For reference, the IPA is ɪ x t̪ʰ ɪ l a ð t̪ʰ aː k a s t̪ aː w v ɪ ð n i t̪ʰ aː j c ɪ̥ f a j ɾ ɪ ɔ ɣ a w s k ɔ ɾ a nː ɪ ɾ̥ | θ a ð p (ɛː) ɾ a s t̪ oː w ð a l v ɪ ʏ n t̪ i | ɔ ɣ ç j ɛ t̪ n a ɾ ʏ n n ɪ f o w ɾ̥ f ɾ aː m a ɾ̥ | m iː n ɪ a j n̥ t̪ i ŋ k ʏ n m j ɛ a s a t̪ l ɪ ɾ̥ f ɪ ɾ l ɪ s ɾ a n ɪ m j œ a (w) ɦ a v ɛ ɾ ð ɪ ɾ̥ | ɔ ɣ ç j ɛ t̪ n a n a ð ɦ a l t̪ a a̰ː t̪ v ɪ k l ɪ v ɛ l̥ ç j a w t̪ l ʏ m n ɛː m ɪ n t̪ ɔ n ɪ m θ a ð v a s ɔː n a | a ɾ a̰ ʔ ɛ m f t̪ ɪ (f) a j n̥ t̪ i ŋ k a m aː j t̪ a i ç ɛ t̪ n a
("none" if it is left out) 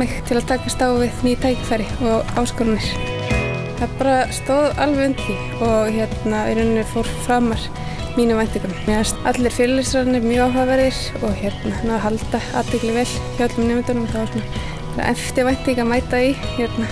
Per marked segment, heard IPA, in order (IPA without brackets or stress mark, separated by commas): aː, w, v